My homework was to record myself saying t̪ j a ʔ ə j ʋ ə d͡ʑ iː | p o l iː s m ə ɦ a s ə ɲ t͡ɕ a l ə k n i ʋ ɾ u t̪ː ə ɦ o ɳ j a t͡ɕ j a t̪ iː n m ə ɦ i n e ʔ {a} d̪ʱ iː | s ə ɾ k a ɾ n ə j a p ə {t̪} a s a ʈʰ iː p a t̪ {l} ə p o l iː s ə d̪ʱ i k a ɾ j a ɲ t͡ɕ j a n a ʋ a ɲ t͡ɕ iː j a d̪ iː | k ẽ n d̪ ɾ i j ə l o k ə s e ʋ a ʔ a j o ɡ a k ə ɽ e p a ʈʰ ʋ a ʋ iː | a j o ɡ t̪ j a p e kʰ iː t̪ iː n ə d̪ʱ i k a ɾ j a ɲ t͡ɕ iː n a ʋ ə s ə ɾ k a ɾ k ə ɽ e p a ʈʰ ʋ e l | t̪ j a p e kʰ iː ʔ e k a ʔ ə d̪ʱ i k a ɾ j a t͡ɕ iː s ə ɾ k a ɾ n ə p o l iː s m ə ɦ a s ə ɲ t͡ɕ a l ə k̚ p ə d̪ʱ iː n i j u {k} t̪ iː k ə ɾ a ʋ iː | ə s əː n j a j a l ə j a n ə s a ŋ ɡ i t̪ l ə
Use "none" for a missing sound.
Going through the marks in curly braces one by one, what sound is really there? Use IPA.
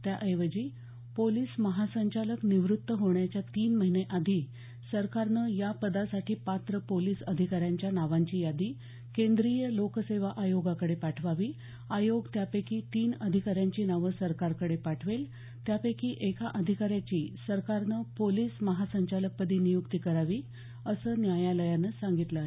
a, d̪, ɾ, k

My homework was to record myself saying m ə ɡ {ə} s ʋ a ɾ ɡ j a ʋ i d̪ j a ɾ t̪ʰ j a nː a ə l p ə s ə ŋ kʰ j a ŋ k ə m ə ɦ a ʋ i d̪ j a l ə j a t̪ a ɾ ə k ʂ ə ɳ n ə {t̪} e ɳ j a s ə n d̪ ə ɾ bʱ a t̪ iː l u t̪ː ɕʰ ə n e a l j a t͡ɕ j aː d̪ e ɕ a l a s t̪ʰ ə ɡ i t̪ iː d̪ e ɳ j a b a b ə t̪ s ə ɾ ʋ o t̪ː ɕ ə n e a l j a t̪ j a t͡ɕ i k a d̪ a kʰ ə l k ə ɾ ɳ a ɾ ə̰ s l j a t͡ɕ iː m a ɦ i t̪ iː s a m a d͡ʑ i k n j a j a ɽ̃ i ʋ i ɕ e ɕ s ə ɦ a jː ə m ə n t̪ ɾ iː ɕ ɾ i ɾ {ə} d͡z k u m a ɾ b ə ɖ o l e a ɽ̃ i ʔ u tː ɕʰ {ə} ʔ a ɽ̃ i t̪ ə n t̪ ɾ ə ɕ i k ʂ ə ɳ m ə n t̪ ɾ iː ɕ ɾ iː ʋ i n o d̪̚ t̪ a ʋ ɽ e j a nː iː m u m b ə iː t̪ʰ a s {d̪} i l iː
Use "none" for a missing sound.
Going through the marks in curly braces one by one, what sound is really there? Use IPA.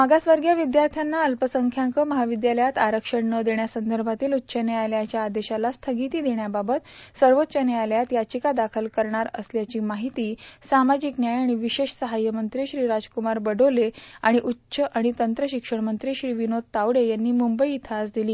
a, d̪, a, ə, d̪

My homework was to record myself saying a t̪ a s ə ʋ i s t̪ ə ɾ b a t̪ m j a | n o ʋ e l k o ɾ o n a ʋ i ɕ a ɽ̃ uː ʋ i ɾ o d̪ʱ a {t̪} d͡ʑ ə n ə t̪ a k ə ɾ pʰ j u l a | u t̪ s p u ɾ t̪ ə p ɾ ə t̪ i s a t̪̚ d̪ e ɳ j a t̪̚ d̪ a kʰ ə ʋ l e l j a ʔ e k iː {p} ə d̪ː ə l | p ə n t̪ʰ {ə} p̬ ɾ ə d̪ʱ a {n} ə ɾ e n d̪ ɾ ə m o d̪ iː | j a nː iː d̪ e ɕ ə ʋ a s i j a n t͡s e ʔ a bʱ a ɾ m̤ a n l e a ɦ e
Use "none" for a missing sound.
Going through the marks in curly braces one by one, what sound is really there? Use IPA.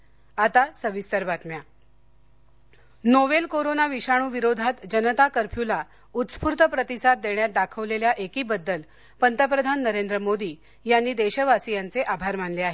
t̪, b, ə, nː

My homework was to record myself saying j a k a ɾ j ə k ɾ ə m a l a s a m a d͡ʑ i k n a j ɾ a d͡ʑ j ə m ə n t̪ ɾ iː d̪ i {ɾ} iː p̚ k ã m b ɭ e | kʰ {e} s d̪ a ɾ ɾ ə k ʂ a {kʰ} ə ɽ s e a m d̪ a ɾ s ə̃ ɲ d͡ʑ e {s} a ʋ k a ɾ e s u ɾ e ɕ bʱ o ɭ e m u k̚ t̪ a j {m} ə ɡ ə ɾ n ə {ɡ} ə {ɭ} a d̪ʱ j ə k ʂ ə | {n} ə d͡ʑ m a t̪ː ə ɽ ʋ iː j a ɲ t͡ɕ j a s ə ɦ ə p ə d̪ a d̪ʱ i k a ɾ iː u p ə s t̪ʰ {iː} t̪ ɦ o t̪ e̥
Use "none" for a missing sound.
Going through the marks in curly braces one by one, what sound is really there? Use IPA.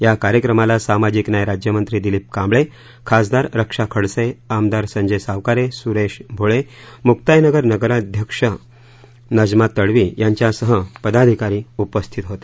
l, a, kʰ, s, n, ɡ, ɾ, n, i

